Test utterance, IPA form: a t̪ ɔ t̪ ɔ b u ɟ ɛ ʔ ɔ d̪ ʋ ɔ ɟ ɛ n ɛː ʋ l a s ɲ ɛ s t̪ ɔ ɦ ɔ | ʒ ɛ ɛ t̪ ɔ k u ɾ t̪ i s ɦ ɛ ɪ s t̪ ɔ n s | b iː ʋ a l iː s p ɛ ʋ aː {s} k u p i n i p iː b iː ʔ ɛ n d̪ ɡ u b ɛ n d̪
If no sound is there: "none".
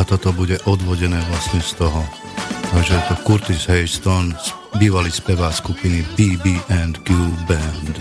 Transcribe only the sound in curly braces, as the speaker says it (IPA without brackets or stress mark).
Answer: s